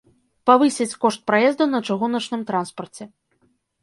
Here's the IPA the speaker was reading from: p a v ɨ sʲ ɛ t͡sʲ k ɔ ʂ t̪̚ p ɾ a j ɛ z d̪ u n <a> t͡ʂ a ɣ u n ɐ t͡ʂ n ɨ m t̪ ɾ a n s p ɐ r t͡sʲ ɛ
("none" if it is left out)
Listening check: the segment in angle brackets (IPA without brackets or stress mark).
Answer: ɐ